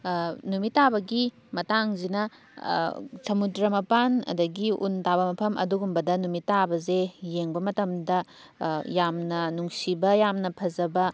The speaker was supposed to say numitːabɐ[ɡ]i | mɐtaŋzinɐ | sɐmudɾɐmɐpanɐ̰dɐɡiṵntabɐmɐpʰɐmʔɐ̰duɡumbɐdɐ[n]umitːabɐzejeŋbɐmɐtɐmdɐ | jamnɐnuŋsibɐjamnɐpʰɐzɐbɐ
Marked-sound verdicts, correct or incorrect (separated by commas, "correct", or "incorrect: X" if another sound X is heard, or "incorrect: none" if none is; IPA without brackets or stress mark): correct, correct